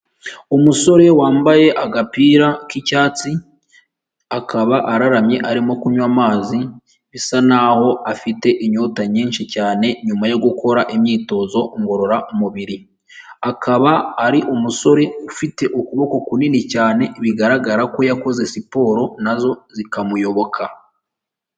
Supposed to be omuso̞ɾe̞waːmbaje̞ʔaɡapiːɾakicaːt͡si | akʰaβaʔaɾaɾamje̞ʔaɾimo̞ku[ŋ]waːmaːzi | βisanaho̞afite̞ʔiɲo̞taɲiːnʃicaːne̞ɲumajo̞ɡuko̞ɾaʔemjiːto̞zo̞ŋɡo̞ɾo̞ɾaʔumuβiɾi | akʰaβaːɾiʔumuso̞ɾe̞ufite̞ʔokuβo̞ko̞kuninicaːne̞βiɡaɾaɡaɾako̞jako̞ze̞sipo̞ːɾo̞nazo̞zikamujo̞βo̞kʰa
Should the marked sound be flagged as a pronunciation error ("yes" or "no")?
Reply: yes